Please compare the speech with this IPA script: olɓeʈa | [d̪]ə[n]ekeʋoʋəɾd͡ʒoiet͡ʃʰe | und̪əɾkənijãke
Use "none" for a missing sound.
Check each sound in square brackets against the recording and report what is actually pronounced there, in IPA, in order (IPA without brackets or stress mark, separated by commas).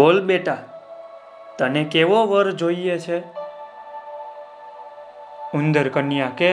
t̪, n